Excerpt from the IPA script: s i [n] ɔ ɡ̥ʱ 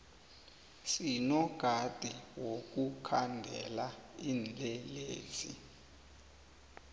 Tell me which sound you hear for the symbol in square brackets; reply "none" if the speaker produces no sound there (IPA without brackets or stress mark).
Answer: n